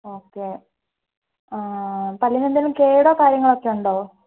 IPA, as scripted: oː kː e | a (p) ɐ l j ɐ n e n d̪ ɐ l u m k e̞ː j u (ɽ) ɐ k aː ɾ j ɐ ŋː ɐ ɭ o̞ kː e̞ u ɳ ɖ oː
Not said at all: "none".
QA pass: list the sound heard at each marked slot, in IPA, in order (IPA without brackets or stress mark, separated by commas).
p, ɽ